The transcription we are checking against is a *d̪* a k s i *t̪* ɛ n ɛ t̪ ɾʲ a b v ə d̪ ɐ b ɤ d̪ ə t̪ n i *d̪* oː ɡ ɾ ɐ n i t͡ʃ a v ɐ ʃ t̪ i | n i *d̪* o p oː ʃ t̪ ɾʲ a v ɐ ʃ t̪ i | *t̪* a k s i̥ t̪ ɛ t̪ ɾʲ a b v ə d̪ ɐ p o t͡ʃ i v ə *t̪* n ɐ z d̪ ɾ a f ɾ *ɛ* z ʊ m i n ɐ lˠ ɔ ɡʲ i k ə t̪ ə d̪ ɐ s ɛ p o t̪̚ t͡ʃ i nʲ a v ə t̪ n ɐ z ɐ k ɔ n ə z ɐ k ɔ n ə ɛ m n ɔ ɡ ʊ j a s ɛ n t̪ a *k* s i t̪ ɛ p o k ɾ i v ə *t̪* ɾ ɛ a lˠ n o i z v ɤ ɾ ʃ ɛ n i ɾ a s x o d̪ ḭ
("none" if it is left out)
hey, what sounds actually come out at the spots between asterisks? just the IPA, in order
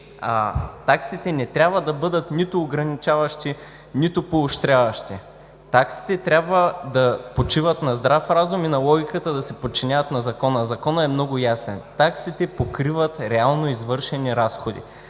t̪, t̪, t̪, t̪, t̪, t̪, a, k, t̪

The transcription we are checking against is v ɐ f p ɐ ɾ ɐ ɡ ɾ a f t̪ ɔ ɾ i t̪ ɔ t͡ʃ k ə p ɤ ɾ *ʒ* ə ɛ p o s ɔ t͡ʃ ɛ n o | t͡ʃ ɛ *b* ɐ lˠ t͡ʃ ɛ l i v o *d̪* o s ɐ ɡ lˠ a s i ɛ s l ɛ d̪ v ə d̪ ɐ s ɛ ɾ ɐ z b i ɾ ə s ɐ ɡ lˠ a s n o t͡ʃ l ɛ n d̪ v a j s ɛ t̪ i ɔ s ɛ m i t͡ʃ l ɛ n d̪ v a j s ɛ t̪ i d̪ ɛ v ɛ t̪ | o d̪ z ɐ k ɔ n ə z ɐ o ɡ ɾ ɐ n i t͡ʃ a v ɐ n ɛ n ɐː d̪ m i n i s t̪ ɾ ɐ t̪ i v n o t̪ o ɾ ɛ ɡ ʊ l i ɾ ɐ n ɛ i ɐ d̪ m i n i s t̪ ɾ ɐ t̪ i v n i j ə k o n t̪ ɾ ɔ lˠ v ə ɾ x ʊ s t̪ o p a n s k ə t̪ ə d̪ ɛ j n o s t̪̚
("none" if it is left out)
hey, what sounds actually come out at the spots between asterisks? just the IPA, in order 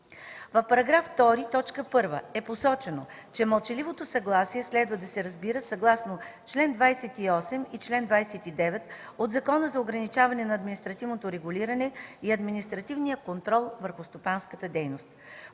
v, m, t̪

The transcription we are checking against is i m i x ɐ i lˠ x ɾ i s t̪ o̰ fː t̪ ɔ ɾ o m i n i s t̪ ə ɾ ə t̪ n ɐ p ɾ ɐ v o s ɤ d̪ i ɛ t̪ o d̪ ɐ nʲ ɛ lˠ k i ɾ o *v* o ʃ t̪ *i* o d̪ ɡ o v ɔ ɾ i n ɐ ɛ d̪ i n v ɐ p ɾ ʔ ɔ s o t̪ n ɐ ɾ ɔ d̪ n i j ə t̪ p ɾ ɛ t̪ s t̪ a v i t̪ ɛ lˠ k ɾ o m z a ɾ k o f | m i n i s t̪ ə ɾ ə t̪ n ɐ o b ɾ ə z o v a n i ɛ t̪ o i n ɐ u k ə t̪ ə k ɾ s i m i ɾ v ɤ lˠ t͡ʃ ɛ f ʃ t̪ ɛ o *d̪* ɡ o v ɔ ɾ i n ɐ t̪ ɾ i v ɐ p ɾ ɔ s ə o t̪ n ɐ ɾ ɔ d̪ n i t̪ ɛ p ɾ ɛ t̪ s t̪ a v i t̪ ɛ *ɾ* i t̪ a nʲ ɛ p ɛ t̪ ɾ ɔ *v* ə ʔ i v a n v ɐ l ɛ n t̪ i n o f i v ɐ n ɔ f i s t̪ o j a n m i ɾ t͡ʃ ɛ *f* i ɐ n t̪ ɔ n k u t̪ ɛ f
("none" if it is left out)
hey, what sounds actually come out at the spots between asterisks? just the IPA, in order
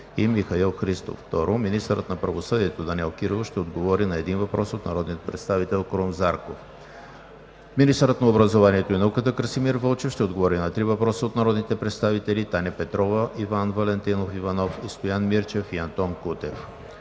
v, ɛ, d̪, l, v, f

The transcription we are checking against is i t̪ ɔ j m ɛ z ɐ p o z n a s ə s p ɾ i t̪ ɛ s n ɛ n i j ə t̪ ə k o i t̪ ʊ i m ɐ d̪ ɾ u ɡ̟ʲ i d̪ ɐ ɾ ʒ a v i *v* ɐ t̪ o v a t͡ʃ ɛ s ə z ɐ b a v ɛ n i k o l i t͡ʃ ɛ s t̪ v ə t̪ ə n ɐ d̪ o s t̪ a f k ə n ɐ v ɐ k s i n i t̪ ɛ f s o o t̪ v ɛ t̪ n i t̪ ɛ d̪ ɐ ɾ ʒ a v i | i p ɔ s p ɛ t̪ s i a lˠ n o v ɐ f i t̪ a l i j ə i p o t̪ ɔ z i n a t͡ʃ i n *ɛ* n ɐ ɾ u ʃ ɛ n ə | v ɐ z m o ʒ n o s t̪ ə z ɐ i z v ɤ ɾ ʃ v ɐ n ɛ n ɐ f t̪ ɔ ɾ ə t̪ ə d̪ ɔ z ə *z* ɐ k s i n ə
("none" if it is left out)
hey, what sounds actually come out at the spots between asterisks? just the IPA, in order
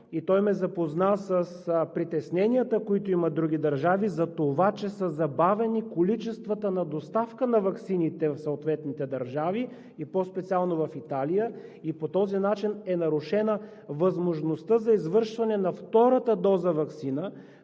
z, ɛ, v

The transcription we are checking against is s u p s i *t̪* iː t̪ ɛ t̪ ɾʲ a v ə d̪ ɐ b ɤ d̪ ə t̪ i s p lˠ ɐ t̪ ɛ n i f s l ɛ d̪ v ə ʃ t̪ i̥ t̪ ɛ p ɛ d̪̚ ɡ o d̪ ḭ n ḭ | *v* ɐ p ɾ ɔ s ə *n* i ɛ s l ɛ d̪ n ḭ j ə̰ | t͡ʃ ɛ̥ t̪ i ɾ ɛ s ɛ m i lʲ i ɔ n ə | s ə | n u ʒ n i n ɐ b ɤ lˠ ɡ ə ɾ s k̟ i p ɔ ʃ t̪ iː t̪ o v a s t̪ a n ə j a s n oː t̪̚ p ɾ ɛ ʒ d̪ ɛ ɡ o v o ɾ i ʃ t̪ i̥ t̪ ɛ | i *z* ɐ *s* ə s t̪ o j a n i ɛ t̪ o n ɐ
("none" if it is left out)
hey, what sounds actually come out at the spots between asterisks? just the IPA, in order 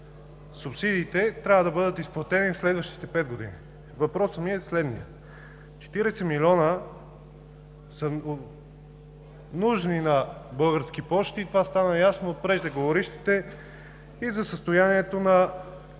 d̪, v, m, z, s

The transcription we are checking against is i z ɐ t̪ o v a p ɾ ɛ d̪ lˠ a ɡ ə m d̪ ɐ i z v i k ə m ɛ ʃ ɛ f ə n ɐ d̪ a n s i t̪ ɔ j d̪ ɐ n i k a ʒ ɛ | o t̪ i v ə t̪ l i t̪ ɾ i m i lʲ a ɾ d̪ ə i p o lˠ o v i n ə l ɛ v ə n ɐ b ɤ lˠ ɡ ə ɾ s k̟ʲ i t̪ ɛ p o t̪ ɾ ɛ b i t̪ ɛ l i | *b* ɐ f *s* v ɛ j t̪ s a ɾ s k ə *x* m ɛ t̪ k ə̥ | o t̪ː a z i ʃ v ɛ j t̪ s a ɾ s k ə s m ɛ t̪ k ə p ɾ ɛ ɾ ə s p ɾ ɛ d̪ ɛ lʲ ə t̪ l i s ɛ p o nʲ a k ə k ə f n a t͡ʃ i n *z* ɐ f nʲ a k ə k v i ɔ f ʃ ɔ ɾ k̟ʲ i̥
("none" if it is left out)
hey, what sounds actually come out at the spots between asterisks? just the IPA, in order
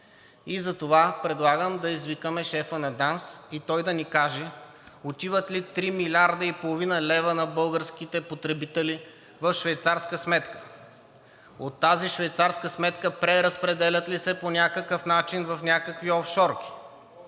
v, ʃ, s, v

